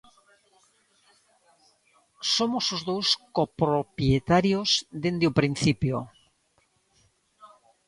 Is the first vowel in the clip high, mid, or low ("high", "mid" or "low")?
mid